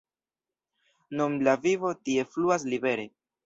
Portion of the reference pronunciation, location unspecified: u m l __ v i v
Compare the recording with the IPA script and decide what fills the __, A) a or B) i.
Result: A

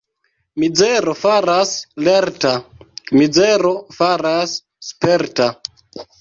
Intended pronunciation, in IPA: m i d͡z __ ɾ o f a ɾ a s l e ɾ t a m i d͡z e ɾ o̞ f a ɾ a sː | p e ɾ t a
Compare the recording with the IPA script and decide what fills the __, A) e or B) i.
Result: A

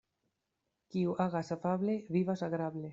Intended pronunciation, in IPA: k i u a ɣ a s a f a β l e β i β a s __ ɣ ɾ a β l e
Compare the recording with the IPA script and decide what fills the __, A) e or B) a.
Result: B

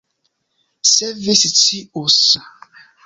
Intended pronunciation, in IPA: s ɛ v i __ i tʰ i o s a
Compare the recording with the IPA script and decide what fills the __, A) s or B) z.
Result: A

